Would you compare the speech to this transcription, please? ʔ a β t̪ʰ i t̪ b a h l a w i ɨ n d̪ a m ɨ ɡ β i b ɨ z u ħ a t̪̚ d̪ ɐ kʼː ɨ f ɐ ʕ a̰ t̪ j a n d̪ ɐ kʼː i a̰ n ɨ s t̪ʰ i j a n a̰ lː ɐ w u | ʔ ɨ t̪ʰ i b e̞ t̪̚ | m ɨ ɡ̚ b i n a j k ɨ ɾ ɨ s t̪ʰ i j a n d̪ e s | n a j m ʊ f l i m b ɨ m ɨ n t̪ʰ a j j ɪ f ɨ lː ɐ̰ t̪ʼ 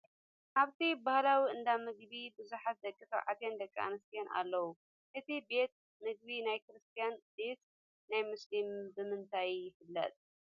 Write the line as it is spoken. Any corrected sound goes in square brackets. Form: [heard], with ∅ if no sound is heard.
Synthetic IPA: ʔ a β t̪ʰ i [∅] b a h l a w i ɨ n d̪ a m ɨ ɡ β i b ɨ z u ħ a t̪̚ d̪ ɐ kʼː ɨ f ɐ ʕ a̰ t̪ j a n d̪ ɐ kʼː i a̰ n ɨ s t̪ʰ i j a n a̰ lː ɐ w u | ʔ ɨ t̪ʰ i b e̞ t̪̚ | m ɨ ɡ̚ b i n a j k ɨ ɾ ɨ s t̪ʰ i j a n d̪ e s | n a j m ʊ [s] l i m b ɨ m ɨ n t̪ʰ a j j ɪ f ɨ lː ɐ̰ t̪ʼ